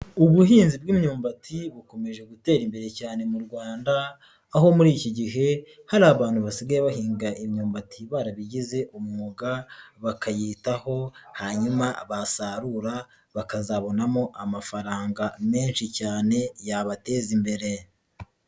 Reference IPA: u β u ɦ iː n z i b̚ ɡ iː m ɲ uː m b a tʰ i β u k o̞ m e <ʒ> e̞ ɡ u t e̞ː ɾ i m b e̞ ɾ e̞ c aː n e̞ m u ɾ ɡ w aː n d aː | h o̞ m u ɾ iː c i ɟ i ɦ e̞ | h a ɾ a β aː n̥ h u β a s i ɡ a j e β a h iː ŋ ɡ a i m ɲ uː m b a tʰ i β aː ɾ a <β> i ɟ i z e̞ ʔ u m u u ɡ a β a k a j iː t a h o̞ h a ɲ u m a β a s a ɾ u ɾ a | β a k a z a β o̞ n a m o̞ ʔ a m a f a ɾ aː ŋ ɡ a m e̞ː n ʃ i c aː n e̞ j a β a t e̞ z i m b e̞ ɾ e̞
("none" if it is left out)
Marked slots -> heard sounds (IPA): ʒ, β

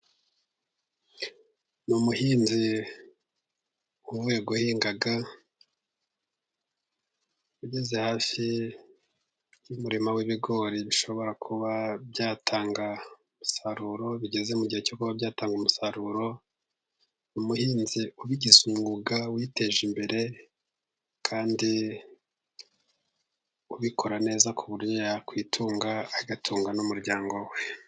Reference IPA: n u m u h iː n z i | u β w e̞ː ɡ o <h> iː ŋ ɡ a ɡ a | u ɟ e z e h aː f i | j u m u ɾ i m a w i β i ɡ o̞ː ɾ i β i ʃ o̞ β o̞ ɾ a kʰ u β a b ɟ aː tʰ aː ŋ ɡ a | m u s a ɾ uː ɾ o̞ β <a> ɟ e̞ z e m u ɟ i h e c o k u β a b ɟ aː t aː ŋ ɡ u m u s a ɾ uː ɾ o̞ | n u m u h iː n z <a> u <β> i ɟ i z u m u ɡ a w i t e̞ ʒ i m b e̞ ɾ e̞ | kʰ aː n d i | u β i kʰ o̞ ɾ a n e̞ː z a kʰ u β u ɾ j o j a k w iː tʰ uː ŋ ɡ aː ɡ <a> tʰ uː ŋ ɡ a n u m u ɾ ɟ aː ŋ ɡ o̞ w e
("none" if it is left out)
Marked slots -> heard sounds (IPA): h, i, i, β, a

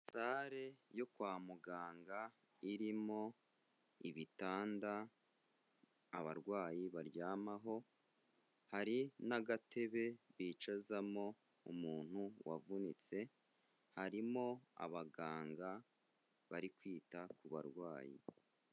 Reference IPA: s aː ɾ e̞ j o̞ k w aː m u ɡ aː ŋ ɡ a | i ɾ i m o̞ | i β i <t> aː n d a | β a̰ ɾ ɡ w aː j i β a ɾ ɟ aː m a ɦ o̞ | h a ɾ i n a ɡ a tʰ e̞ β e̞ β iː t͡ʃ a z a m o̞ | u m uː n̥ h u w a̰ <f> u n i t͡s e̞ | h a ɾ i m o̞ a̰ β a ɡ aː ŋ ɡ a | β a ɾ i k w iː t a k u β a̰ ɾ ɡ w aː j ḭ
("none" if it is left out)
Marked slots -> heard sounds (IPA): t, v

